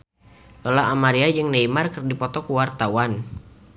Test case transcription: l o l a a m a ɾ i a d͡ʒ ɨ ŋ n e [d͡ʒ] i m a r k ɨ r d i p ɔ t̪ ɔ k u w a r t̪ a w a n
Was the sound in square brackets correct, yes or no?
no